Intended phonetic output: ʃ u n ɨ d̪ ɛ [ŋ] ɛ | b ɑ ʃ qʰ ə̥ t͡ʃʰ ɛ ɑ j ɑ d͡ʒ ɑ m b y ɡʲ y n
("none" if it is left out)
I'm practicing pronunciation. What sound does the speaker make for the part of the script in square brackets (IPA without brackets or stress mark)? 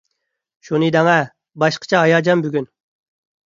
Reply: ŋ